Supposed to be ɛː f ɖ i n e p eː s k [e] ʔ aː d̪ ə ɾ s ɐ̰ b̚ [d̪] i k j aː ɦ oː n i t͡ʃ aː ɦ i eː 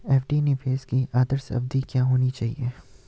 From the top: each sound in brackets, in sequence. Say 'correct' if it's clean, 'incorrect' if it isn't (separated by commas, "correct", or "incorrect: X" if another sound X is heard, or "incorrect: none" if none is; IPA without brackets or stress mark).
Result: incorrect: i, correct